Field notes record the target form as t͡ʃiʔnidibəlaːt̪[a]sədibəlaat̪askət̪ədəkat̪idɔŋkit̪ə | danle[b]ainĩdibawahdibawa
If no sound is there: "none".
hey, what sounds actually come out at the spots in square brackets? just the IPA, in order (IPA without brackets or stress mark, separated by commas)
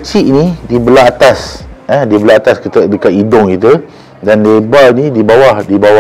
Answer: a, b